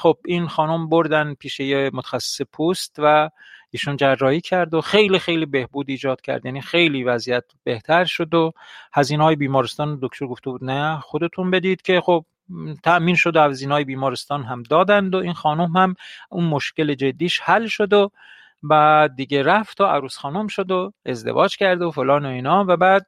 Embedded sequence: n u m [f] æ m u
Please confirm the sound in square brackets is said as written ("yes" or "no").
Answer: no